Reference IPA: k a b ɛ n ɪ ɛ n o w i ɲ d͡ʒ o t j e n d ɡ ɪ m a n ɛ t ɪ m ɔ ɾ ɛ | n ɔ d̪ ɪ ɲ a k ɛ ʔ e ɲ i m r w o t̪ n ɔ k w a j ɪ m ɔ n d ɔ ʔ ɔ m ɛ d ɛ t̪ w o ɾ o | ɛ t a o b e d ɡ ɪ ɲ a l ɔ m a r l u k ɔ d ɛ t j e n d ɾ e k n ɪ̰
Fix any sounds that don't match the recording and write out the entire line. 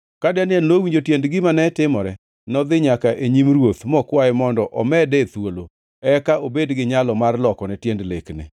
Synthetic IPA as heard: k a d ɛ n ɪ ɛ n o w i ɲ d͡ʒ o t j e n d ɡ ɪ m a n ɛ t ɪ m ɔ ɾ ɛ | n ɔ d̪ ɪ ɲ a k a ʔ e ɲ i m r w o t̪ m ɔ k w a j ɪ m ɔ n d ɔ ʔ ɔ m ɛ d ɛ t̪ w o l o | ɛ k a o b e d ɡ ɪ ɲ a l ɔ m a r l ɔ k ɔ n ɛ t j e n d l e k n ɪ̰